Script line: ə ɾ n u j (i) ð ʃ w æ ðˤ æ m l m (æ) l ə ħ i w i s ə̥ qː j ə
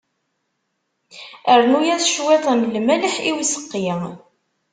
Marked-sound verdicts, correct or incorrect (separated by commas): incorrect, correct